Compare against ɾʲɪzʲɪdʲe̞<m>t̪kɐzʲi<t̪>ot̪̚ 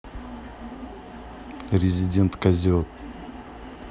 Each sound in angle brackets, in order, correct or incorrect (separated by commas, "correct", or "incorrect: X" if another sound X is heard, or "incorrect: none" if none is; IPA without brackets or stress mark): incorrect: n, incorrect: none